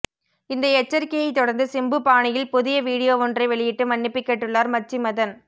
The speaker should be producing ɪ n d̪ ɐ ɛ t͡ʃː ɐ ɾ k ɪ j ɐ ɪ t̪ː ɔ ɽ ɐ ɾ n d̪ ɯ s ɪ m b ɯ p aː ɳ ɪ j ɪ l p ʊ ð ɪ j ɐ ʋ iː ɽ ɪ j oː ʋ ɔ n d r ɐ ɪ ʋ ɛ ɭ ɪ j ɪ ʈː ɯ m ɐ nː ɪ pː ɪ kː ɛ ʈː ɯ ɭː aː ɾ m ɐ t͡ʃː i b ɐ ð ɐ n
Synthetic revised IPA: ɪ n d̪ ɐ ɛ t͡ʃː ɐ ɾ k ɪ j ɐ ɪ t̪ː ɔ ɽ ɐ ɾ n d̪ ɯ s ɪ m b ɯ p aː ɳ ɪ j ɪ l p ʊ ð ɪ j ɐ ʋ iː ɽ ɪ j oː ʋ ɔ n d r ɐ ɪ ʋ ɛ ɭ ɪ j ɪ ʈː ɯ m ɐ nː ɪ pː ɪ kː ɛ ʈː ɯ ɭː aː ɾ m ɐ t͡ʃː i m ɐ ð ɐ n